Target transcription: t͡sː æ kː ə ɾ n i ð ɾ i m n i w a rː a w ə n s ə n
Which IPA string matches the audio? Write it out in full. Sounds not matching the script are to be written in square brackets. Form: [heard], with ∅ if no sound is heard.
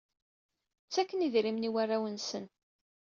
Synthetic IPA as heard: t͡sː æ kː ə [∅] n i ð ɾ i m n i w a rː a w ə n s ə n

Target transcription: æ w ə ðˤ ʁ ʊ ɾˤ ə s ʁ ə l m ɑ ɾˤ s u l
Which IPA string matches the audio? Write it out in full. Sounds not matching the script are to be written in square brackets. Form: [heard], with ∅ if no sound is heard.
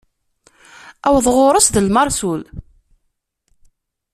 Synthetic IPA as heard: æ w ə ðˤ ʁ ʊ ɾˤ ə s [ð] ə l m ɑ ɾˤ s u l

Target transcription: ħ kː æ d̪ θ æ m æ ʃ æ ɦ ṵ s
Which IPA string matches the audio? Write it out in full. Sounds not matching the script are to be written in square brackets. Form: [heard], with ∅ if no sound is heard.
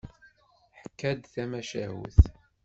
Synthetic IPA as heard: ħ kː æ d̪ θ æ m æ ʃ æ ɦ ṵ [θ]

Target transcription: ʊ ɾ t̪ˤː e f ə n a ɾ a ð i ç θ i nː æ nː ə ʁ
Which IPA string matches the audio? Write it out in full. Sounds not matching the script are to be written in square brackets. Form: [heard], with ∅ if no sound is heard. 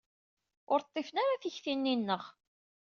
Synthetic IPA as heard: ʊ ɾ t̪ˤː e f ə n a ɾ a [θ] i ç θ i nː [i] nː ə ʁ

